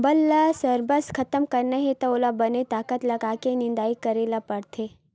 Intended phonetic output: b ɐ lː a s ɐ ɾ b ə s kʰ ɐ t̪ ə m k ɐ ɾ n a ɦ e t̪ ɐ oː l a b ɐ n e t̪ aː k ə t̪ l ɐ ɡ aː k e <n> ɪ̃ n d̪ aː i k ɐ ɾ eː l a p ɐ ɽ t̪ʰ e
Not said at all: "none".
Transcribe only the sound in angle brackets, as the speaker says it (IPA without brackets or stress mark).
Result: n